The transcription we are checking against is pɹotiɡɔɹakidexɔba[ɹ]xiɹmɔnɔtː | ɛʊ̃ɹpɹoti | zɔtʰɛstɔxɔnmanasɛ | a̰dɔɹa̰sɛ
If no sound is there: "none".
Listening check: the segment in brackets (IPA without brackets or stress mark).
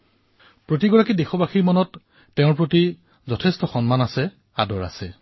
none